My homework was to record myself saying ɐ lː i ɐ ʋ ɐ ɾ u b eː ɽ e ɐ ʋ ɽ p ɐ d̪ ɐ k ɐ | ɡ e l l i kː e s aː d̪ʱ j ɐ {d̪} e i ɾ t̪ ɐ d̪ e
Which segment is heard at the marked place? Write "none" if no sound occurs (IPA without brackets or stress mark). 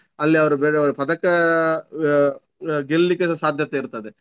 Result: t̪